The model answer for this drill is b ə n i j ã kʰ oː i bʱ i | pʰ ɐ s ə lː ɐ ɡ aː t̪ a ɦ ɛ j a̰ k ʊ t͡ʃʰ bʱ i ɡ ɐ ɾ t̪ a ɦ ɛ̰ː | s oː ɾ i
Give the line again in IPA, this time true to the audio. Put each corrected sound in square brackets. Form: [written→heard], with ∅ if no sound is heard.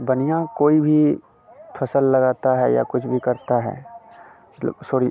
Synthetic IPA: b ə n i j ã [kʰ→k] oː i bʱ i | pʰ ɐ s ə lː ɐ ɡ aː t̪ a ɦ ɛ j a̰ k ʊ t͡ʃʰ bʱ i [ɡ→k] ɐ ɾ t̪ a ɦ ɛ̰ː | s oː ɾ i